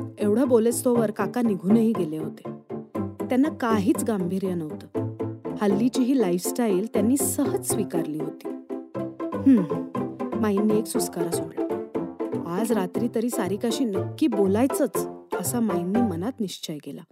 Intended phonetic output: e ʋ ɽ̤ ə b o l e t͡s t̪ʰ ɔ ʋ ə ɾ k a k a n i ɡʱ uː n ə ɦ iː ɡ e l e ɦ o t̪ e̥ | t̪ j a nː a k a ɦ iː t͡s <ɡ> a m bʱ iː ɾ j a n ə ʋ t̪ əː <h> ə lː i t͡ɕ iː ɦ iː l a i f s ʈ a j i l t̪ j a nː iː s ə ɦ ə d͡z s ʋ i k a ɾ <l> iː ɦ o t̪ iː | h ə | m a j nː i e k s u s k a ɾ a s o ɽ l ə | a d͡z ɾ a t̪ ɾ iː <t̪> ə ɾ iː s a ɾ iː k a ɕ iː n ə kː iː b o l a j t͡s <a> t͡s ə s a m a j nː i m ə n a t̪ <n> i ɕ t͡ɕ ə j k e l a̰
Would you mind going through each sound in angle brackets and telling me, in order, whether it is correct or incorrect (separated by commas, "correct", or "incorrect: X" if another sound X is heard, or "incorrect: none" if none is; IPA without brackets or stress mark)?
correct, correct, correct, correct, incorrect: ə, correct